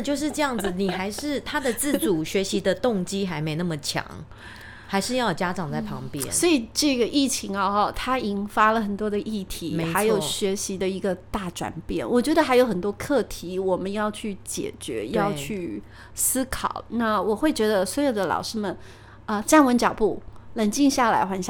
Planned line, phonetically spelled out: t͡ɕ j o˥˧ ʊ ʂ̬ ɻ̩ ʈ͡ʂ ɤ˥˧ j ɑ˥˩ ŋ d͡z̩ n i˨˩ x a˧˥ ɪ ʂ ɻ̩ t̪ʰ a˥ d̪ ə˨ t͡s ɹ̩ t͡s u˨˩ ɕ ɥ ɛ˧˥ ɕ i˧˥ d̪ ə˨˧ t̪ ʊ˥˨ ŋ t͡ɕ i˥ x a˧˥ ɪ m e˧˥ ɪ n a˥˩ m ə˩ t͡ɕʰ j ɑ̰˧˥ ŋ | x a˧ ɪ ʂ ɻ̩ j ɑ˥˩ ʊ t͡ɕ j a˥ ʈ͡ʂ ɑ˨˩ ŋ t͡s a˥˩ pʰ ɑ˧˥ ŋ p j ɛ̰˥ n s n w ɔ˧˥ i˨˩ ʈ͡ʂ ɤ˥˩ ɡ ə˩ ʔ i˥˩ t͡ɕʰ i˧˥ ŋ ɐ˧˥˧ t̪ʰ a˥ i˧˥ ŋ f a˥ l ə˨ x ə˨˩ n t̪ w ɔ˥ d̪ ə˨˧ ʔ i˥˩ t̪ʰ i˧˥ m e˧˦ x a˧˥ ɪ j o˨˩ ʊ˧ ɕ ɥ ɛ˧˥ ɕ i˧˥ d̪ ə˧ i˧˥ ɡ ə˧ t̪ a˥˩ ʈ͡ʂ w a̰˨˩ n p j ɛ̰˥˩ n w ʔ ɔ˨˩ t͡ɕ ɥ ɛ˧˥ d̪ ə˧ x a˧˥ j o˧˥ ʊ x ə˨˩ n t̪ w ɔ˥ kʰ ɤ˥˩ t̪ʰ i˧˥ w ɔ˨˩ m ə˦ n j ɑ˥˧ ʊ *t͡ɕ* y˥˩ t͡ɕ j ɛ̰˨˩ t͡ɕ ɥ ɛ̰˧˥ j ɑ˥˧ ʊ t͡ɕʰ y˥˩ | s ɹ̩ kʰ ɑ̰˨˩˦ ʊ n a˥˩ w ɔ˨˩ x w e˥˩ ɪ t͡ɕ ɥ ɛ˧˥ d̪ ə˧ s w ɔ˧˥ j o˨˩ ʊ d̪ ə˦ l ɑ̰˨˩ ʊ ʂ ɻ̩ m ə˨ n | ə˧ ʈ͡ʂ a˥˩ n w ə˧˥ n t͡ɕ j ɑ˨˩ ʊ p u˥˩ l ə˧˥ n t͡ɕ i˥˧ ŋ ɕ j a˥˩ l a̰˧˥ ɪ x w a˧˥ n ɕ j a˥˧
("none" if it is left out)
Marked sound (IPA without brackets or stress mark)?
t͡ɕʰ